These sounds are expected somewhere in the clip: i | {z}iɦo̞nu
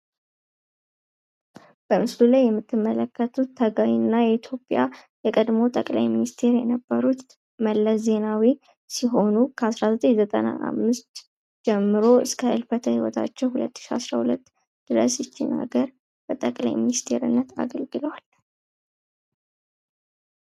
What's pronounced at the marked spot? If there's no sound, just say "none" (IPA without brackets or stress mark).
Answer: s